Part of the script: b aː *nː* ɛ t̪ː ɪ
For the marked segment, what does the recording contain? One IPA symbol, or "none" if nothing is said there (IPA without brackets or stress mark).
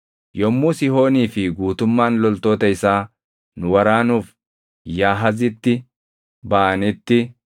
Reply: n